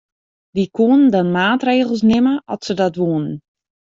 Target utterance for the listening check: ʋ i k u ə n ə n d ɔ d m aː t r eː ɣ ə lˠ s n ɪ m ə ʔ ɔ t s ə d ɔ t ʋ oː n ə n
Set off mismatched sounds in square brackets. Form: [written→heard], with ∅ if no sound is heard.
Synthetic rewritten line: ʋ i k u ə n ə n d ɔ [d→n] m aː t r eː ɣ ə lˠ s n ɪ m ə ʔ ɔ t s ə d ɔ t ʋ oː n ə n